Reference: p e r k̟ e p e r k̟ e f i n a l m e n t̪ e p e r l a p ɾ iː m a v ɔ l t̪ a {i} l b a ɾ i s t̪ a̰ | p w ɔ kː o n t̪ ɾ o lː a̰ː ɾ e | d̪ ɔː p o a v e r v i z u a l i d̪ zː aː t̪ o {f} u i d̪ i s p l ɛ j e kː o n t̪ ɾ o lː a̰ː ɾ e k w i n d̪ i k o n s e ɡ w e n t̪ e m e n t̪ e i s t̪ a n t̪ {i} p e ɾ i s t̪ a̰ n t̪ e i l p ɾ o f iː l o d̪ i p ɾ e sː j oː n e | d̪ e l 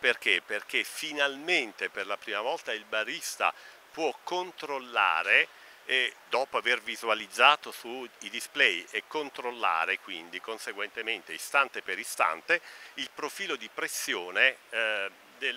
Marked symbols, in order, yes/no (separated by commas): yes, no, no